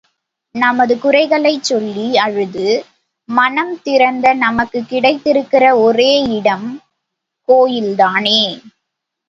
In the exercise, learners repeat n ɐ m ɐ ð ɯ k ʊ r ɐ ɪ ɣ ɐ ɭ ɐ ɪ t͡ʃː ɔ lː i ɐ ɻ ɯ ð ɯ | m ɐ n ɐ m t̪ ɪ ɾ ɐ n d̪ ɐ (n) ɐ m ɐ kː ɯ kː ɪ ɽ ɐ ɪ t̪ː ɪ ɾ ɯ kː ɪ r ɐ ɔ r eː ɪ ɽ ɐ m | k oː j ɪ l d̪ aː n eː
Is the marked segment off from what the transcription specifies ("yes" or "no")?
no